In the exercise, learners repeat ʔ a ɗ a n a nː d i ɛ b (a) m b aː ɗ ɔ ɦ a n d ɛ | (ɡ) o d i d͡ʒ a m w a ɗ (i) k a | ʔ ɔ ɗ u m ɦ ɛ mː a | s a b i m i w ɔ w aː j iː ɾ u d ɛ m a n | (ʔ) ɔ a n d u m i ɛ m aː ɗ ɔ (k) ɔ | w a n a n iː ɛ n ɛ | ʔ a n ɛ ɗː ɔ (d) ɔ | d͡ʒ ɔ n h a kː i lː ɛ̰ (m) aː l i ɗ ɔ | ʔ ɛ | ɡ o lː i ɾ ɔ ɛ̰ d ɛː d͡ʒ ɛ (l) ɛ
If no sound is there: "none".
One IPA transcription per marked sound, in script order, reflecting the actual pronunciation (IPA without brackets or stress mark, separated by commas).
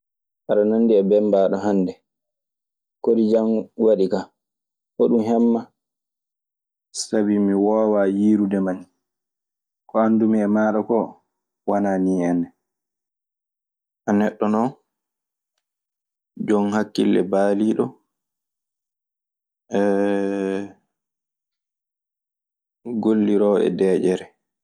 ɛ, k, i, k, k, n, b, ɾ